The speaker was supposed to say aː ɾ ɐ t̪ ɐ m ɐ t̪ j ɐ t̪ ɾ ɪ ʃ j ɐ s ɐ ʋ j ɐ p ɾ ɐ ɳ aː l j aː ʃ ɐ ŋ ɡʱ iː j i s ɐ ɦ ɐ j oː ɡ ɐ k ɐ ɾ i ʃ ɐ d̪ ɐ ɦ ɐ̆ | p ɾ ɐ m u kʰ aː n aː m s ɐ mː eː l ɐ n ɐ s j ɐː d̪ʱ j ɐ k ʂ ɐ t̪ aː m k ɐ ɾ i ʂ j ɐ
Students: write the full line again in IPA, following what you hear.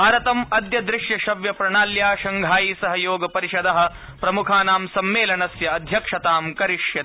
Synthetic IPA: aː ɾ ɐ t̪ ɐ m ɐ d̪ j ɐ d̪ ɾ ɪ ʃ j ɐ ʃ ɐ ʋ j ɐ p ɾ ɐ ɳ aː l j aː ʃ ɐ ŋ ɡʱ aː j i s ɐ ɦ ɐ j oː ɡ ɐ p ɐ ɾ i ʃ ɐ d̪ ɐ ɦ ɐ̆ | p ɾ ɐ m u kʰ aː n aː m s ɐ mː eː l ɐ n ɐ s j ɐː d̪ʱ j ɐ k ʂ ɐ t̪ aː m k ɐ ɾ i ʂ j ɐ